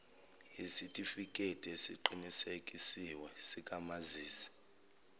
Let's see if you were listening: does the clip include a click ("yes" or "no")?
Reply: yes